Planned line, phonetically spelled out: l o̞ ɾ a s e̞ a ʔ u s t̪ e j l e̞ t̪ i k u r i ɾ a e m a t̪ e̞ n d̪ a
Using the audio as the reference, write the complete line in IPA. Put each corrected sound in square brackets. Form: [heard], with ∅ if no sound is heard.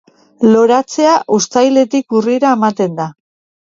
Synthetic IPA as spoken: l o̞ ɾ a [t͡s] e̞ a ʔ u s t̪ [a] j l e̞ t̪ i k u r i ɾ a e m a t̪ e̞ n d̪ a